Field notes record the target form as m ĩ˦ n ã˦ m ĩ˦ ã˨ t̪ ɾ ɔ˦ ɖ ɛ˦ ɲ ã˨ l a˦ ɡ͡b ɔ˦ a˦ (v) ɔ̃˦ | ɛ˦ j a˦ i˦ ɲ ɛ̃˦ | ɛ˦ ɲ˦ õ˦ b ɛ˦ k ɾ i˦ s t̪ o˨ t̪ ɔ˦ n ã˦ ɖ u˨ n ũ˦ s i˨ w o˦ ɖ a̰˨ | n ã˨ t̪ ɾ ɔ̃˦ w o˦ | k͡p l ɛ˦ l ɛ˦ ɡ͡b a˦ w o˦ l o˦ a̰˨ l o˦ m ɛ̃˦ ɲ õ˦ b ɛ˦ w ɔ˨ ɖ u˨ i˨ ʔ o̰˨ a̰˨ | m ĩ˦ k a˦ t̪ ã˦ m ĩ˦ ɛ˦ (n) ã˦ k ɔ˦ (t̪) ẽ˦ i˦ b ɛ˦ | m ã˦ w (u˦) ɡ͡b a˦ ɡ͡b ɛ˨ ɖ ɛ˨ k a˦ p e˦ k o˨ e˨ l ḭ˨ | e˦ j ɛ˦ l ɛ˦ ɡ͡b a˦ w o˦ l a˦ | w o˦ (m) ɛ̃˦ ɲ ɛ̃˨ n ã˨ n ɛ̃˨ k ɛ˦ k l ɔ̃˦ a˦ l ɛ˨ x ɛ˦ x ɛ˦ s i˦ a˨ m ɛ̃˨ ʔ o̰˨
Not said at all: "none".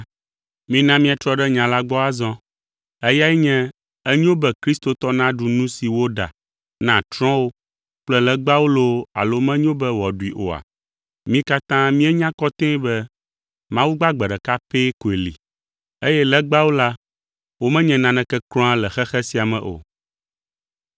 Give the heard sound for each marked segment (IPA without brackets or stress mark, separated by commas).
z, ɲ, t̪, u˦, m